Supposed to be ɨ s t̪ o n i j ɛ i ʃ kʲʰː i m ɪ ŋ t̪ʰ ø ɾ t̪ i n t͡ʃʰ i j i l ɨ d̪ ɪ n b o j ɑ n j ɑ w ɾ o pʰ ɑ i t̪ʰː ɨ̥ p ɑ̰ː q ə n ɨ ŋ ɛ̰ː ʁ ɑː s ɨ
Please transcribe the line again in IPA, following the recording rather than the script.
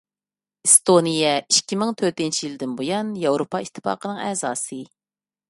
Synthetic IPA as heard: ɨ s t̪ o n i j ɛ i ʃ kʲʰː i m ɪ ŋ t̪ʰ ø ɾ t̪ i n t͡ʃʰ i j i l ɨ d̪ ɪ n b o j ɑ n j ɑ w ɾ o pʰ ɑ i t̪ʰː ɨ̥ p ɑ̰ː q ə n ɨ ŋ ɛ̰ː z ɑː s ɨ